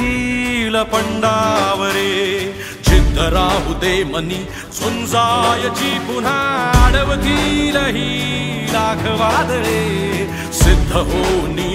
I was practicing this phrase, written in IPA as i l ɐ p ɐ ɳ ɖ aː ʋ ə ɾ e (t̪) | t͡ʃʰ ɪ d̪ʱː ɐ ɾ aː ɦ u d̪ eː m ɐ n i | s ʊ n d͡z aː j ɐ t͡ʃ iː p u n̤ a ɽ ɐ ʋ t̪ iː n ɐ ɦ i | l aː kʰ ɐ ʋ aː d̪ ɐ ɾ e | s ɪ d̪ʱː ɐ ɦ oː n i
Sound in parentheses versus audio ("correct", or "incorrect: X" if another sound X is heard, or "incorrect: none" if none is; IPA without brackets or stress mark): incorrect: none